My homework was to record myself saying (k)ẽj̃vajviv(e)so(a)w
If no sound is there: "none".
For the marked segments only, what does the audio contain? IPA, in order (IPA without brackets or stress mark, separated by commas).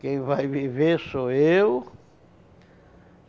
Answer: k, e, e